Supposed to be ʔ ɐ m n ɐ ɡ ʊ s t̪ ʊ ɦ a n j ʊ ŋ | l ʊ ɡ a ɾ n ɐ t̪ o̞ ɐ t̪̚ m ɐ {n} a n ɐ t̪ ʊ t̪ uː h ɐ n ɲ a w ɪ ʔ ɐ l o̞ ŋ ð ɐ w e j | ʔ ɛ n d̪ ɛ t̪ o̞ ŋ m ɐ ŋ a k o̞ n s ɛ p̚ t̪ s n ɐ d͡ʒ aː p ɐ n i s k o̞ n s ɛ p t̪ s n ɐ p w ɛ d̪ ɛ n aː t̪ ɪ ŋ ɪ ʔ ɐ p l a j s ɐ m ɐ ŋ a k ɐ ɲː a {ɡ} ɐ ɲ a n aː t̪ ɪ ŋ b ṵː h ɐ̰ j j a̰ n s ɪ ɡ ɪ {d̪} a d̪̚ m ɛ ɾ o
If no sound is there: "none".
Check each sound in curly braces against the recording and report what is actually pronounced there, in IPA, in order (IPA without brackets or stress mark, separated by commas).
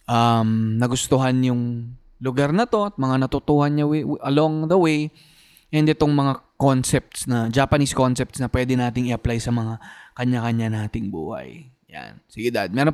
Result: ŋ, k, d̪